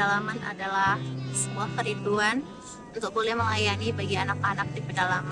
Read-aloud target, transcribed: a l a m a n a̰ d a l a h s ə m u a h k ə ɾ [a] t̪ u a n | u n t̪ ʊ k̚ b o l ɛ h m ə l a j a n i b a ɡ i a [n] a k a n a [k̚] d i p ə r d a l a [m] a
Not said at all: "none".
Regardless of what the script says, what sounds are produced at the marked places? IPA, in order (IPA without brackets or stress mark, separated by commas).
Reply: i, n, k̚, m